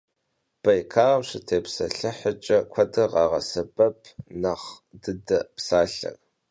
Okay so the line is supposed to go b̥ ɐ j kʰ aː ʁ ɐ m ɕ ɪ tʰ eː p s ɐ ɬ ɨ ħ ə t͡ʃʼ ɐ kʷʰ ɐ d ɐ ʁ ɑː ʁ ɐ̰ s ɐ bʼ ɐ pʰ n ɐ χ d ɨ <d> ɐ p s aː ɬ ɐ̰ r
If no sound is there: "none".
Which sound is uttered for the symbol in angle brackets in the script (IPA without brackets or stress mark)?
d